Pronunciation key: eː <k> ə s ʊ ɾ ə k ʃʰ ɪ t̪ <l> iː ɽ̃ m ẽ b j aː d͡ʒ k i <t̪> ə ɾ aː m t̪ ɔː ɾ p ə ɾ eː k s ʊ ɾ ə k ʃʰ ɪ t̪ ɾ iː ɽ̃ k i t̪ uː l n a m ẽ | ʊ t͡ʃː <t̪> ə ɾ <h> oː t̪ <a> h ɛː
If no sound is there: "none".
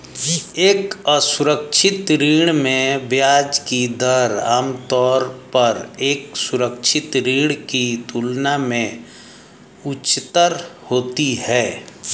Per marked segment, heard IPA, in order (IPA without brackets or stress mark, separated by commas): k, ɾ, d̪, t̪, h, i